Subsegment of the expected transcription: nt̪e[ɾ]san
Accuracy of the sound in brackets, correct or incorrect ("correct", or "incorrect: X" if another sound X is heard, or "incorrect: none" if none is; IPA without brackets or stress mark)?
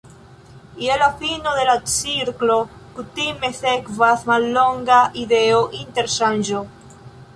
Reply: correct